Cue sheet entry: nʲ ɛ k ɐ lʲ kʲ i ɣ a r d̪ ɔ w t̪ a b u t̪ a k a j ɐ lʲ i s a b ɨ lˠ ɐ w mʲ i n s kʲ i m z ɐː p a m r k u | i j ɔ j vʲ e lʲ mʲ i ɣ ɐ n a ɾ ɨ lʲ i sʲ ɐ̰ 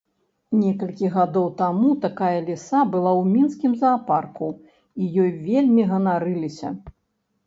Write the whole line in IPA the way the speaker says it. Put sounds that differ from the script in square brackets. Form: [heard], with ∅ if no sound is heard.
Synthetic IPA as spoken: nʲ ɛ k ɐ lʲ kʲ i ɣ a [∅] d̪ ɔ w t̪ a [m] u t̪ a k a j ɐ lʲ i s a b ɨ lˠ [a] w mʲ i n s kʲ i m z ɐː p a [∅] r k u | i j ɔ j vʲ e lʲ mʲ i ɣ ɐ n a ɾ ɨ lʲ i sʲ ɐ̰